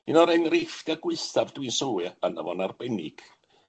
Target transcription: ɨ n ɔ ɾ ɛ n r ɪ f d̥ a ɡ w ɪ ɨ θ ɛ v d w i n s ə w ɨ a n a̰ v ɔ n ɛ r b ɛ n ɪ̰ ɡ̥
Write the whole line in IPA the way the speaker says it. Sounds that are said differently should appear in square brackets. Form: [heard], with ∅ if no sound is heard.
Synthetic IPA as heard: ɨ n ɔ ɾ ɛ n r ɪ f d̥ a ɡ w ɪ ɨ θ [a] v d w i n s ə w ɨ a n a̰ v ɔ n [a] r b ɛ n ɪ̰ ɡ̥